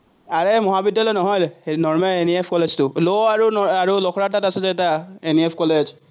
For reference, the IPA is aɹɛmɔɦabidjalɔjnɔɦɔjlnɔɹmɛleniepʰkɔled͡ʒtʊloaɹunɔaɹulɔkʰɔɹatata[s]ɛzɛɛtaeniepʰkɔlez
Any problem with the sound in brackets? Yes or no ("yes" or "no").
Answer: no